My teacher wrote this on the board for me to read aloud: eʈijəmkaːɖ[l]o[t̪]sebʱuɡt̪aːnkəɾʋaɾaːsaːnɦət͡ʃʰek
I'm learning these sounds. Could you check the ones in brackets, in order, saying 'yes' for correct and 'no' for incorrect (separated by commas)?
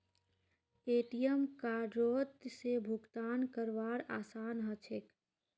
no, yes